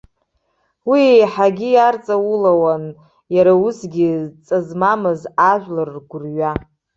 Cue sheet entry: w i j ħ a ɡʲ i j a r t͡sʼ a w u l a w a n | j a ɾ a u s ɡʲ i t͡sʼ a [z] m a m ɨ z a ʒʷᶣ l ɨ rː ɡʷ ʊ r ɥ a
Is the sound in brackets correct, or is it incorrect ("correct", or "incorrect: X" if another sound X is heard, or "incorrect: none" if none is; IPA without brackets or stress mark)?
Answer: correct